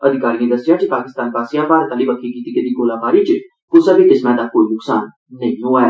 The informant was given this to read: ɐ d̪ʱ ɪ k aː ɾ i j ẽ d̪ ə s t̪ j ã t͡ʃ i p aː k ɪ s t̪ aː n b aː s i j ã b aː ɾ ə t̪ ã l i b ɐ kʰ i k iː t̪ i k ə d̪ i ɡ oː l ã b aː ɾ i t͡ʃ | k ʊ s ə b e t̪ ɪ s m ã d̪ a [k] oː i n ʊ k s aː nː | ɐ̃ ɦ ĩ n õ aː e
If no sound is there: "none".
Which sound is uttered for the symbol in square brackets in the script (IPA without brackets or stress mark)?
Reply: k